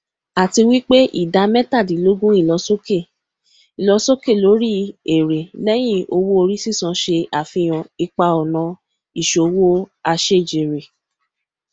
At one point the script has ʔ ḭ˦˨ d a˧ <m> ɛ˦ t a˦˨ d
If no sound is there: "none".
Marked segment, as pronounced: m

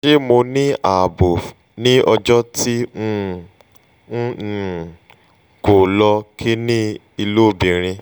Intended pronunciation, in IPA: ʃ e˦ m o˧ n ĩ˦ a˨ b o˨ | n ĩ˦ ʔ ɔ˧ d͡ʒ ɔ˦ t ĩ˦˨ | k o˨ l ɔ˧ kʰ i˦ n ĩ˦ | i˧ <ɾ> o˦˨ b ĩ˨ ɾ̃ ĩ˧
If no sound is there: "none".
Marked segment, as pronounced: l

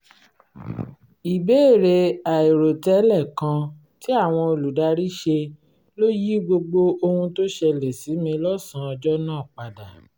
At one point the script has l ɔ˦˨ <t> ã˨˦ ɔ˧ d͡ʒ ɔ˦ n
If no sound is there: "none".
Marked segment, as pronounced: s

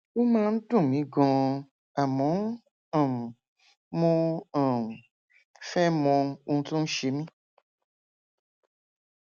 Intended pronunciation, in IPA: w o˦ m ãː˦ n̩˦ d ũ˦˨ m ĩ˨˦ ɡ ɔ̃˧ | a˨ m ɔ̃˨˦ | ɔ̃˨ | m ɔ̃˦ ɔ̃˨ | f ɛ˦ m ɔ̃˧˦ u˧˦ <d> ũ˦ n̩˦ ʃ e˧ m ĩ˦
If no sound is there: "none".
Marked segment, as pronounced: t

